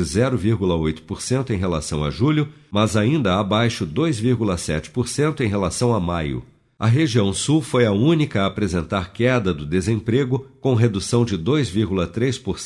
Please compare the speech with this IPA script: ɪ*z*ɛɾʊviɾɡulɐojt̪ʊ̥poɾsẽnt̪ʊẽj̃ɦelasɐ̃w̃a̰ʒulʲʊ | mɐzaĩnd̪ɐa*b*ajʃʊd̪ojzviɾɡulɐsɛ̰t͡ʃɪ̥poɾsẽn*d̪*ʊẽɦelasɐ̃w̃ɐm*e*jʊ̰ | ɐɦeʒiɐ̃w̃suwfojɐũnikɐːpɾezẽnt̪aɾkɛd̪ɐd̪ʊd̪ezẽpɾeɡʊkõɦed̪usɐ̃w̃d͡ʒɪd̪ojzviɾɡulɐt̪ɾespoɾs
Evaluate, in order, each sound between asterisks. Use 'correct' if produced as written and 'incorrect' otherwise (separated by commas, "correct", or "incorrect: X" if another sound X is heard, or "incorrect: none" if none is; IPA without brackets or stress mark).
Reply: correct, correct, incorrect: t̪, incorrect: a